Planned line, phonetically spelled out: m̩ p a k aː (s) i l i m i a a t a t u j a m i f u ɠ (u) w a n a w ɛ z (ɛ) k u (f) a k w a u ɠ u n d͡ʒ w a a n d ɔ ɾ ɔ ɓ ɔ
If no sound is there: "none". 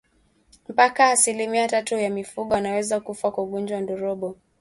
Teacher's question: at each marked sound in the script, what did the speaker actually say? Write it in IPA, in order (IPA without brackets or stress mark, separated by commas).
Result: s, ɔ, a, f